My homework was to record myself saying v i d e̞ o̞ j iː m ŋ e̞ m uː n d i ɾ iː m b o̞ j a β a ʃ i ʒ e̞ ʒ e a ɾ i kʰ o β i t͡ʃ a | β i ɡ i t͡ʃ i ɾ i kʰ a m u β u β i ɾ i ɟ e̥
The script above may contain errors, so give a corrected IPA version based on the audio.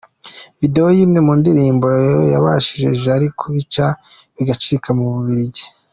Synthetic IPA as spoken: v i d e̞ o̞ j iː m ŋ e̞ m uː n d i ɾ iː m b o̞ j a β a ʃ i ʒ e̞ ʒ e a ɾ i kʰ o β i t͡ʃ a | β i ɡ a t͡ʃ i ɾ i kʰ a m u β u β i ɾ i ɟ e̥